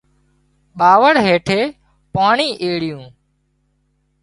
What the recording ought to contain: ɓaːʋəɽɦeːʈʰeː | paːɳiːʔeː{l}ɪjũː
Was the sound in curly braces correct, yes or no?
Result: no